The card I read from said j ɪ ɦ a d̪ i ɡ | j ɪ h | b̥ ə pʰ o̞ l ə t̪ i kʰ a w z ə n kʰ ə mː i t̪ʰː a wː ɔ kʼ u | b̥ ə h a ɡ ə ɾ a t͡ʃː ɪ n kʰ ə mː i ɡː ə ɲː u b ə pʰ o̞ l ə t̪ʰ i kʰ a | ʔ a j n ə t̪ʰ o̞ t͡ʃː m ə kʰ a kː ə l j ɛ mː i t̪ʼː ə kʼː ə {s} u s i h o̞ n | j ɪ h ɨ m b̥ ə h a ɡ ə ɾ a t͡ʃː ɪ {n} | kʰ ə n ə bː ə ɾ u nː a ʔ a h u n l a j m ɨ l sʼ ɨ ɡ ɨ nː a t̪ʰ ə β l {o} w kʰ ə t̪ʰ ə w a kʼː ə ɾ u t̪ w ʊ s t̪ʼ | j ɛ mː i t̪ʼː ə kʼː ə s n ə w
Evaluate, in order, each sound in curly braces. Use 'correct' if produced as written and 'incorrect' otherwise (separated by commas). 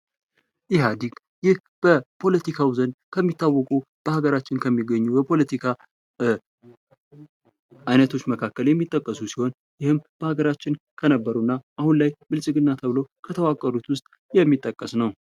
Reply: correct, correct, correct